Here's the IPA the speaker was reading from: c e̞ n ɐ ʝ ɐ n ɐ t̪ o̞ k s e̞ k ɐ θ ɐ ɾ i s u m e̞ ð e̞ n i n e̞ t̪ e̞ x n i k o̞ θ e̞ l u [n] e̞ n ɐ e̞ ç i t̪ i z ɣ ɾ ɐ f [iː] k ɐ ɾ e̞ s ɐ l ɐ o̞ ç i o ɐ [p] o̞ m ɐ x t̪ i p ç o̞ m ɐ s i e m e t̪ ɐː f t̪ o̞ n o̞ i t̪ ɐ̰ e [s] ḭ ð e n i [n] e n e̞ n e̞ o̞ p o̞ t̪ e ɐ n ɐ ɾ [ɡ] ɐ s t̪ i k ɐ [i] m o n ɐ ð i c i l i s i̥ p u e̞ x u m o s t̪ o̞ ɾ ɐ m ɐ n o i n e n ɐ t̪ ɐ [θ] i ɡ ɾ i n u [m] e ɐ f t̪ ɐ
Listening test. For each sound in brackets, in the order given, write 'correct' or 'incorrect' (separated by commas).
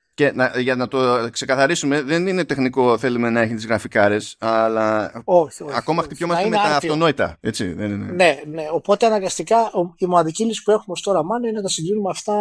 incorrect, incorrect, incorrect, incorrect, correct, correct, correct, incorrect, correct